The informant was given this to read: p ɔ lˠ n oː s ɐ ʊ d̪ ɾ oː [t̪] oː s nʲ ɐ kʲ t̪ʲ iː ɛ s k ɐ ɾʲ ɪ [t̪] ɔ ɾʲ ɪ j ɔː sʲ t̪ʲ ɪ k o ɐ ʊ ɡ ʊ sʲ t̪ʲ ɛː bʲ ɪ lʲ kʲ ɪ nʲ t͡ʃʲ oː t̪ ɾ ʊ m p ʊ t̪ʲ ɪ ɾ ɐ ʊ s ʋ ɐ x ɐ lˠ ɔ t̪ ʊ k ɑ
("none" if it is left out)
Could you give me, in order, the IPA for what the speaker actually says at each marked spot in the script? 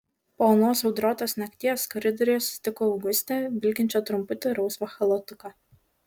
t̪, d̪

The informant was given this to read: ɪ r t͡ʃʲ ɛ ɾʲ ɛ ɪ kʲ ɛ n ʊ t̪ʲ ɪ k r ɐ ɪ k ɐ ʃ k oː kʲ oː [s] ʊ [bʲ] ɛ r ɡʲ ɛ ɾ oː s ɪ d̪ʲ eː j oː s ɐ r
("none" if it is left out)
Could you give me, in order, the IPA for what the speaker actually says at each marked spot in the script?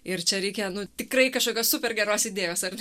s, pʲ

